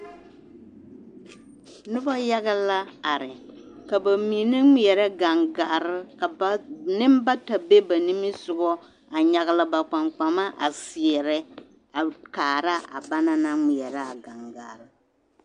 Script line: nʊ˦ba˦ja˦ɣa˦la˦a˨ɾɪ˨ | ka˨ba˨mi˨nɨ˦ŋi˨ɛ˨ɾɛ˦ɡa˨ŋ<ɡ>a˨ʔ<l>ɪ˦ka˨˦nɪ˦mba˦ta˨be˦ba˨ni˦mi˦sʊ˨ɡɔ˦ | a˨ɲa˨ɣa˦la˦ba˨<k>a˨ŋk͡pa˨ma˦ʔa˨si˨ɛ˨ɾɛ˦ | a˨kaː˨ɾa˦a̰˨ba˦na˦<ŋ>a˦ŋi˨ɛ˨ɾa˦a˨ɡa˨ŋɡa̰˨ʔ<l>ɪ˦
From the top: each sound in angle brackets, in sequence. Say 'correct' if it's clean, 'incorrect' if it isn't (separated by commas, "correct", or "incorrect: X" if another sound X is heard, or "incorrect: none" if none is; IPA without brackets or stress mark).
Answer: correct, incorrect: ɾ, incorrect: k͡p, incorrect: n, incorrect: ɾ